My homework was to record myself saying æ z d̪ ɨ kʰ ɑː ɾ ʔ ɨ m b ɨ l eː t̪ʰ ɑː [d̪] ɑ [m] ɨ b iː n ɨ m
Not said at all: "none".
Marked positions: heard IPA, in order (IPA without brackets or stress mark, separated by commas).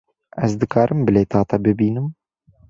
t̪, b